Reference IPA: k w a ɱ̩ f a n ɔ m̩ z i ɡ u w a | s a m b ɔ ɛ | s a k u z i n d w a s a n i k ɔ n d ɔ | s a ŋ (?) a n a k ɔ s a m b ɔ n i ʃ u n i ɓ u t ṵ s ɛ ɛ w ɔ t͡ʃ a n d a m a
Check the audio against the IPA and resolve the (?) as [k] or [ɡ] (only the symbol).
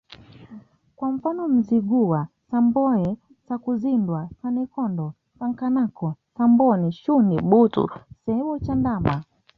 k